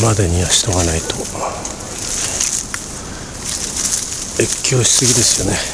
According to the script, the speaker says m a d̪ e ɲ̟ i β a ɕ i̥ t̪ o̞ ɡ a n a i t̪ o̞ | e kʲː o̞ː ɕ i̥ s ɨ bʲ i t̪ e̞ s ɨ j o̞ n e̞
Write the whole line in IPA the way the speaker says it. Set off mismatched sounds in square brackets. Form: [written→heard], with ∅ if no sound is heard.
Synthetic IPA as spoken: m a d̪ e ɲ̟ i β a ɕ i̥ t̪ o̞ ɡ a n a i t̪ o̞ | e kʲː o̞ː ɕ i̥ s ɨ [bʲ→ɡʲ] i [t̪→d̪] e̞ s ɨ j o̞ n e̞